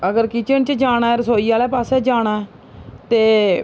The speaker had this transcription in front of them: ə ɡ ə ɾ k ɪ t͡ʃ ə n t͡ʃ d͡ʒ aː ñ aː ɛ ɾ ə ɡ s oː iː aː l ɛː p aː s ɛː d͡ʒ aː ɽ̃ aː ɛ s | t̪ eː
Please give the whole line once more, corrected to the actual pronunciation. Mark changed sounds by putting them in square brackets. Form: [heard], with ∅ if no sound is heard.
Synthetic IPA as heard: ə ɡ ə ɾ k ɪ t͡ʃ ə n t͡ʃ d͡ʒ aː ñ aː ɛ ɾ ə [∅] s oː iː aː l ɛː p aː s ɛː d͡ʒ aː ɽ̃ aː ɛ [∅] | t̪ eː